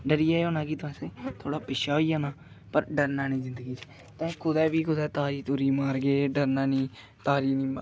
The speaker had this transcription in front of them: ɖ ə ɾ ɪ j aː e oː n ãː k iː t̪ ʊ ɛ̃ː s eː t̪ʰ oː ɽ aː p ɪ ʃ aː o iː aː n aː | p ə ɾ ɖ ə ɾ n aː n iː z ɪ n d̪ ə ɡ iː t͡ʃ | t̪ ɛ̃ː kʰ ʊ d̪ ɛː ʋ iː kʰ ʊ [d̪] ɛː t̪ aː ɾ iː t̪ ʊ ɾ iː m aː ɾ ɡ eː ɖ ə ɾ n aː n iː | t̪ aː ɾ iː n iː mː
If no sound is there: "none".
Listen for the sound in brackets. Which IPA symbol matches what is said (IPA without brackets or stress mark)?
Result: d̪